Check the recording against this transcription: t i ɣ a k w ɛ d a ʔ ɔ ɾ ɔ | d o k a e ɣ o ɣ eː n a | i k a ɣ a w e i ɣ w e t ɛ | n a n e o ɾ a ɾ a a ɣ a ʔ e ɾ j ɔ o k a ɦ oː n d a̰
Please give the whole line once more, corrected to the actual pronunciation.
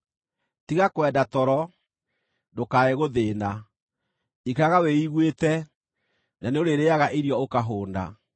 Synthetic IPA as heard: t i ɣ a k w ɛ d a t ɔ ɾ ɔ | d o k a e ɣ o ð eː n a | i k a ɣ a w e i ɣ w e t ɛ | n a n e o ɾ e ɾ e a ɣ a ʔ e ɾ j ɔ o k a ɦ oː n d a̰